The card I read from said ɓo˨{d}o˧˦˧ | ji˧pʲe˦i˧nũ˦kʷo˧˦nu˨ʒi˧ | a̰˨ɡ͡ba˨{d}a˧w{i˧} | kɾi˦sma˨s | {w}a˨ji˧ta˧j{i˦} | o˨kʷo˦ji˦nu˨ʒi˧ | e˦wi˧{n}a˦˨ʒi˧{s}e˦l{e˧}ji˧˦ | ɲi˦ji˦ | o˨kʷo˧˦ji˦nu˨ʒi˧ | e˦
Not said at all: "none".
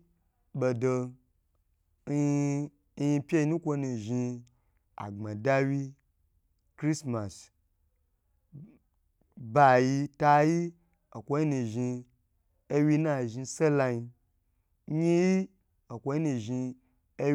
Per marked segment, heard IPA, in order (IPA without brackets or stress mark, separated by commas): d, d, i˧, b, i˦, n, s, a˧